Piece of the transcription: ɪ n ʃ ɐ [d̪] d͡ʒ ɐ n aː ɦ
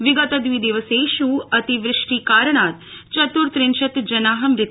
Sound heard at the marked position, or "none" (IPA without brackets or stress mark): t̪